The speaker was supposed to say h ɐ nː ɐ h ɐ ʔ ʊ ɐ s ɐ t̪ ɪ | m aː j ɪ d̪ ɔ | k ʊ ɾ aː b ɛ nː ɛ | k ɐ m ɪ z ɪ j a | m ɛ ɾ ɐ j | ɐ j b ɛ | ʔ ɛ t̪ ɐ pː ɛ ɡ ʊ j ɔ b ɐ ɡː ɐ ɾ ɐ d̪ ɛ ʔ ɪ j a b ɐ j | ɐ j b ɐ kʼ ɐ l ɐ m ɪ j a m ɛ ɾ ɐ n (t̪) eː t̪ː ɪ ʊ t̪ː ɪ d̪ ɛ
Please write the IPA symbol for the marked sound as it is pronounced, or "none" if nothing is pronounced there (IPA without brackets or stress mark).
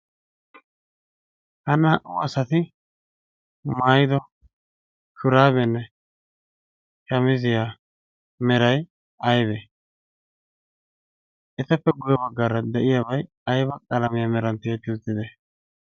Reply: t̪